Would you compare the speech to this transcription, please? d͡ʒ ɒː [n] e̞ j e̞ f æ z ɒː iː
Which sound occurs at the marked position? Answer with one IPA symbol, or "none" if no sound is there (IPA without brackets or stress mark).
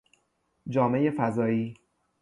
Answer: m